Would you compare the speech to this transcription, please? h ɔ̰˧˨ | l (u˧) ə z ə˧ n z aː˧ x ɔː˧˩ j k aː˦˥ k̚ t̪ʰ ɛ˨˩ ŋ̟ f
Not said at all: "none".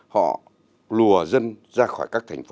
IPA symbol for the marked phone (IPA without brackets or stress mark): u˨˩